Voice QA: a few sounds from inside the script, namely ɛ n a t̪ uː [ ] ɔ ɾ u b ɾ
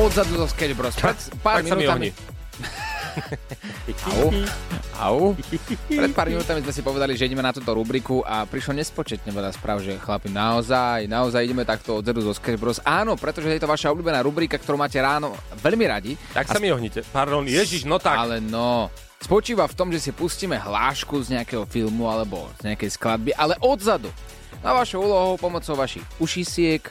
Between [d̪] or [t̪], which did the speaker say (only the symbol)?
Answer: t̪